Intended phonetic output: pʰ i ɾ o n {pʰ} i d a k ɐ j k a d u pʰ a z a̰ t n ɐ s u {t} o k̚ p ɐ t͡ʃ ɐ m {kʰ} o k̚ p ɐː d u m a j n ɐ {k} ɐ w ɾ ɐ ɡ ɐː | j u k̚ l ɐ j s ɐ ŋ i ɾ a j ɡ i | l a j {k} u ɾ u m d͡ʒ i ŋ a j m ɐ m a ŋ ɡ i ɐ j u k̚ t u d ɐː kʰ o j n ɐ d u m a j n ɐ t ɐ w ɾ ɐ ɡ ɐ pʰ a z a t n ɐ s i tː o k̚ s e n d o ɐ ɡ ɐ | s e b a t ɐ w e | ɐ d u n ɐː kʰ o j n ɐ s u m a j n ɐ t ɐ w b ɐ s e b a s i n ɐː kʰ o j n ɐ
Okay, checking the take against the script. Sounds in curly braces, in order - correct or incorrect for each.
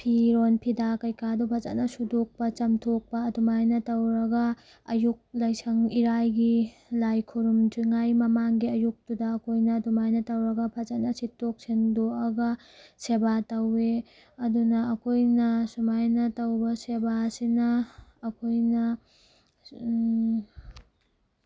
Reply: correct, incorrect: d, incorrect: tʰ, incorrect: t, incorrect: kʰ

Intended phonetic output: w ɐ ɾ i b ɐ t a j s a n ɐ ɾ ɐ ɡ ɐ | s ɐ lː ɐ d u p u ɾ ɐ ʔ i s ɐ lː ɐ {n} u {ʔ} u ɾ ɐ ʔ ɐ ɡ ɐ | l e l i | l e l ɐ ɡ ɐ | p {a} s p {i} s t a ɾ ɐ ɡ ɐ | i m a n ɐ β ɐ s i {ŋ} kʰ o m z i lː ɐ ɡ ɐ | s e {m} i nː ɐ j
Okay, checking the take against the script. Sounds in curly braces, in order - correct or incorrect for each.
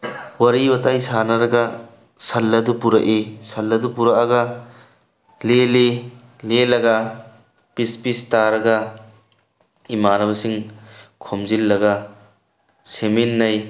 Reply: incorrect: d, incorrect: p, incorrect: i, correct, correct, correct

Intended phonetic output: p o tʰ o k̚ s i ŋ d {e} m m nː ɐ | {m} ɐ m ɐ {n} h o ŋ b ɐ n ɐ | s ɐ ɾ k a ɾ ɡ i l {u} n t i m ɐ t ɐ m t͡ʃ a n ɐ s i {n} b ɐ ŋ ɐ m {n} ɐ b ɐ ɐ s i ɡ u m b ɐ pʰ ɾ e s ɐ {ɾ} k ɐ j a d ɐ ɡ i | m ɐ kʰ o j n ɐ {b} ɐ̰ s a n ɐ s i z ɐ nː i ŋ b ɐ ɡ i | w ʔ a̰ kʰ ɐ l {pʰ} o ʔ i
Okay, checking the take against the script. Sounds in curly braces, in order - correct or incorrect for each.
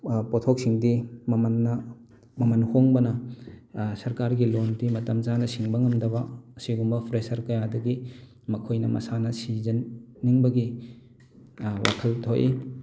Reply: incorrect: i, correct, correct, incorrect: o, incorrect: ŋ, incorrect: d, correct, incorrect: m, incorrect: tʰ

